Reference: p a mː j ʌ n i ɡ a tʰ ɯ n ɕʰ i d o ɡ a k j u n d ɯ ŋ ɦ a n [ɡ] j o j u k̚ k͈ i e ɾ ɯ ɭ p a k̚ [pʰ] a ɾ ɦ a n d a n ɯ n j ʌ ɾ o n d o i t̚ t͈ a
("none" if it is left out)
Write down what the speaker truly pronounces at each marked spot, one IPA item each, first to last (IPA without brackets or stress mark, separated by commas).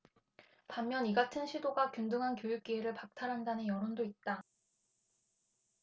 k, tʰ